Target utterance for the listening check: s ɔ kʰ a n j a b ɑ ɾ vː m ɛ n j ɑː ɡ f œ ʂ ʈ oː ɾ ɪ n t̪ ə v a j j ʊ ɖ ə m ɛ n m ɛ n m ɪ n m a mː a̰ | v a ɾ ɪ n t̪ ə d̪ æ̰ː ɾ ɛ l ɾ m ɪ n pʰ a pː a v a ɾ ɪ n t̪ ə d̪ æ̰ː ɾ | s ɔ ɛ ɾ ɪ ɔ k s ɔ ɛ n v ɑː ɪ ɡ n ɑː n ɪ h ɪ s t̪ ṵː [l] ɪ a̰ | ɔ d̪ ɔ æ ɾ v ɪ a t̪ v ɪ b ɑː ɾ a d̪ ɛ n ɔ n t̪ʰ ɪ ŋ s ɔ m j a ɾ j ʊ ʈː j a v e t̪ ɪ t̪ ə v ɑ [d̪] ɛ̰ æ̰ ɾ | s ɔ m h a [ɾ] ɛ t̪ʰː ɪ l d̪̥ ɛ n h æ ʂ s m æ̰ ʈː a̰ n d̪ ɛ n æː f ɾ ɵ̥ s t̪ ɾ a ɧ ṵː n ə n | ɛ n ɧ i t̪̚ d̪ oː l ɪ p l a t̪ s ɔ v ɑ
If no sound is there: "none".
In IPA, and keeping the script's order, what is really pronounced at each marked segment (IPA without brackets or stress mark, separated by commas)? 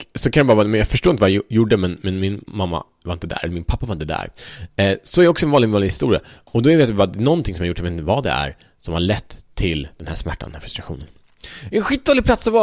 ɾ, d̪, ɭ